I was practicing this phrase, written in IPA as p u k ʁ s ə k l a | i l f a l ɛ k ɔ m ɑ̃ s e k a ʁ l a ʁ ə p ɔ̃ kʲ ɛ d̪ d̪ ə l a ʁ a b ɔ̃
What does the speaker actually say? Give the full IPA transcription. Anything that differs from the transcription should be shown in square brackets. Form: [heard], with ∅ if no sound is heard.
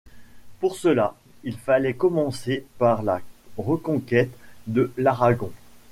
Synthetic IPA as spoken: p u [∅] ʁ s ə [∅] l a | i l f a l ɛ k ɔ m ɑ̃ s e [p] a ʁ l a ʁ ə [k] ɔ̃ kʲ ɛ [t̪] d̪ ə l a ʁ a [ɡ] ɔ̃